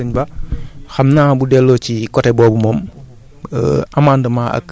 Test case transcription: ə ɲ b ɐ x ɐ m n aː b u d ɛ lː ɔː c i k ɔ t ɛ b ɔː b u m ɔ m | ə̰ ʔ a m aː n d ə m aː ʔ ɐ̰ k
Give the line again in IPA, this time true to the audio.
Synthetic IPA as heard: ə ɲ b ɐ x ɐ m n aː b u d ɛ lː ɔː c i k ɔ t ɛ b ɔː b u m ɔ m | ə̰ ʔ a m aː n d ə m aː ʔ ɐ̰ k